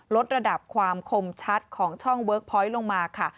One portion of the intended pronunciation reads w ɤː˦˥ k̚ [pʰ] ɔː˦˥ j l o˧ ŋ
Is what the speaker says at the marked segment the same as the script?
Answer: yes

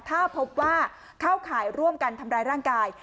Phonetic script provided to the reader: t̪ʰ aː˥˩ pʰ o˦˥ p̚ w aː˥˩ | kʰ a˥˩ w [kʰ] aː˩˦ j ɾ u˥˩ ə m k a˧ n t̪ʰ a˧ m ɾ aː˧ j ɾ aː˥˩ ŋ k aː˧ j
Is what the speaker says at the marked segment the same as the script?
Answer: yes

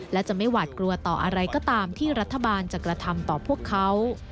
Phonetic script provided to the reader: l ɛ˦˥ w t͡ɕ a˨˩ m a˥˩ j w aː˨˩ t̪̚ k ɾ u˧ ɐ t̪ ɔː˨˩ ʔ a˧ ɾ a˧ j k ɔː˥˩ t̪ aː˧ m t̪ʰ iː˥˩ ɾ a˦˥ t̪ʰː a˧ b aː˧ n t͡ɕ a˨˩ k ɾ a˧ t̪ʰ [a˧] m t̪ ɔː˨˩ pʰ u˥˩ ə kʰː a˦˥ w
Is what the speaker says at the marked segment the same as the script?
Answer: yes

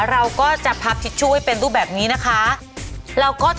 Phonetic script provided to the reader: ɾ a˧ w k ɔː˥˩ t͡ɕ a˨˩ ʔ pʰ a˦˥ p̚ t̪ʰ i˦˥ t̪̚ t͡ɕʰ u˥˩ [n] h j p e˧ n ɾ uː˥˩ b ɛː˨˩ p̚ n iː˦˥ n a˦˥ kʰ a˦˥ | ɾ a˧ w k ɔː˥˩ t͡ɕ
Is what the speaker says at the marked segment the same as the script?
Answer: no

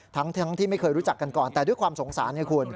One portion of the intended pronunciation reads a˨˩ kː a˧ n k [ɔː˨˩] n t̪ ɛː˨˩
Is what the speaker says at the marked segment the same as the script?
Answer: yes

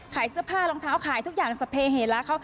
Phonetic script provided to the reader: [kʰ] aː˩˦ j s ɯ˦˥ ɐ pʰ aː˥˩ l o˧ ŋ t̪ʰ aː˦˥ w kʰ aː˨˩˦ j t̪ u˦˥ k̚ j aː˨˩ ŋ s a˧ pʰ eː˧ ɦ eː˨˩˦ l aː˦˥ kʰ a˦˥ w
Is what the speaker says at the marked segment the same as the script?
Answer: yes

